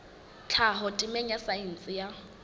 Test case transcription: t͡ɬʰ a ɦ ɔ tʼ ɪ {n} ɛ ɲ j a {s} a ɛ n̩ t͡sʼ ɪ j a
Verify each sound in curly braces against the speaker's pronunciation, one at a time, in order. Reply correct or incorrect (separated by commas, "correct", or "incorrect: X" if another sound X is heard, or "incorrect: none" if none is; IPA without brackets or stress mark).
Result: incorrect: m, correct